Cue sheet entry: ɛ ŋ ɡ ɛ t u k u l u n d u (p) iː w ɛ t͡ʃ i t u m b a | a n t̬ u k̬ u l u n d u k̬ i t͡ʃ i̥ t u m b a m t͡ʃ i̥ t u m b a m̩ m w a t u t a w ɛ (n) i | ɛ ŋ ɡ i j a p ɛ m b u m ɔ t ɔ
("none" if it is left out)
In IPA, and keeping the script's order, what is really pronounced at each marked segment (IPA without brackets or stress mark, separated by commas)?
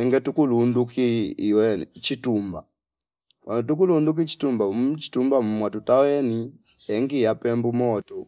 k, n